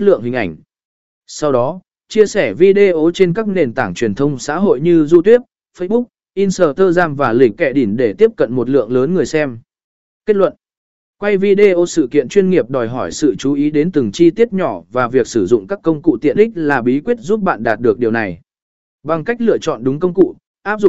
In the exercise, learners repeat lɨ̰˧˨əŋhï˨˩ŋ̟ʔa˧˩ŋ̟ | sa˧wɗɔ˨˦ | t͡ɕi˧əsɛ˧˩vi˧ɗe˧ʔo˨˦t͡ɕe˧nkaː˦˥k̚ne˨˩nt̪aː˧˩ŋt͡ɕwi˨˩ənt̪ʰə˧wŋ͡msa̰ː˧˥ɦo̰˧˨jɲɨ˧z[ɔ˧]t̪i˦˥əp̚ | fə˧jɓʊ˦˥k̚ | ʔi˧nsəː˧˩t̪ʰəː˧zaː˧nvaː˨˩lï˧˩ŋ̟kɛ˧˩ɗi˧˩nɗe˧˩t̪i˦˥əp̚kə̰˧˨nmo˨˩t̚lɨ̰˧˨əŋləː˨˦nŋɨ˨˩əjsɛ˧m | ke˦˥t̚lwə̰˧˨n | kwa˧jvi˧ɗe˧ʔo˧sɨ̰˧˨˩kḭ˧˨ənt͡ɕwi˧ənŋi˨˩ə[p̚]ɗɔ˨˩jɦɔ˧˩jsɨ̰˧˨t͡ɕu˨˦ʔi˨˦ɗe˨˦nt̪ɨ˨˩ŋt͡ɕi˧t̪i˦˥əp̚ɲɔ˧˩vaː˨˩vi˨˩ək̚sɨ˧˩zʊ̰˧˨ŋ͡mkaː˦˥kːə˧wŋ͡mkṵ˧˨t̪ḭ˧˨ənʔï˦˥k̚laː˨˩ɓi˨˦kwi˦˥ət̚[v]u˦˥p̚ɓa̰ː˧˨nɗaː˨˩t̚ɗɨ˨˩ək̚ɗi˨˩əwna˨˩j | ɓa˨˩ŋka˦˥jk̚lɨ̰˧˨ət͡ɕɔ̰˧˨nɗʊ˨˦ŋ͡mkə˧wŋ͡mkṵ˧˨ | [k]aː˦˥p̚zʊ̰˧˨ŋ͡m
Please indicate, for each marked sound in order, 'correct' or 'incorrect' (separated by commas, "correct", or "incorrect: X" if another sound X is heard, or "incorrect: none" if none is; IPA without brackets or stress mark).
incorrect: u˧, correct, incorrect: z, incorrect: ʔ